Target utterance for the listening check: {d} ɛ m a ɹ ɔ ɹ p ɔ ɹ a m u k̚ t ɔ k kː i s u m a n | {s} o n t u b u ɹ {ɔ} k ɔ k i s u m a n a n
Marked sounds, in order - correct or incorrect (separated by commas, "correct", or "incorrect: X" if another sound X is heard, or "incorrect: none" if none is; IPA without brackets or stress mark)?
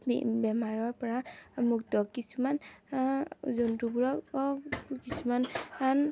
incorrect: b, incorrect: z, correct